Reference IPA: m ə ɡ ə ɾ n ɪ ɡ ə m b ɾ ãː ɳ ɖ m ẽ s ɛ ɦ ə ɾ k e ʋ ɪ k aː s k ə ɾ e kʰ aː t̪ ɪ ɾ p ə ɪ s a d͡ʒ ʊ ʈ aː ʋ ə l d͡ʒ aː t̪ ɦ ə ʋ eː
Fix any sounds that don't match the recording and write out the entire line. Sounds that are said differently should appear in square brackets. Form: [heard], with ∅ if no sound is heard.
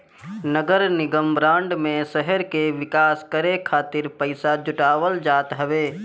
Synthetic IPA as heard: [n] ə ɡ ə ɾ n ɪ ɡ ə m b ɾ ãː ɳ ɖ m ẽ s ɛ ɦ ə ɾ k e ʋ ɪ k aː s k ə ɾ e kʰ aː t̪ ɪ ɾ p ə ɪ s a d͡ʒ ʊ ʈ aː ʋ ə l d͡ʒ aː t̪ ɦ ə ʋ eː